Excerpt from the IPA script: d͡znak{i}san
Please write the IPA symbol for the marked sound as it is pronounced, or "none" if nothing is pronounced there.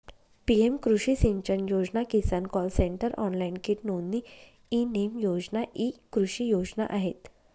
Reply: i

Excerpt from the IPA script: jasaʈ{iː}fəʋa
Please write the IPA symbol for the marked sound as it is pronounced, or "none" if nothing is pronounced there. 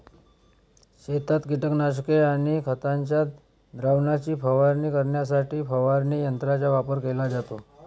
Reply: iː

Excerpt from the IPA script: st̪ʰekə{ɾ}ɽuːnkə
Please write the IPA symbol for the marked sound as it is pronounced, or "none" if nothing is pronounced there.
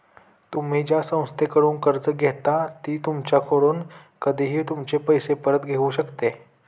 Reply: none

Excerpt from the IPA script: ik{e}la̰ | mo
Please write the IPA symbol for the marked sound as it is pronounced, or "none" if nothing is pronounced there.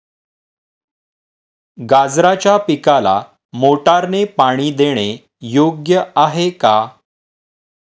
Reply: a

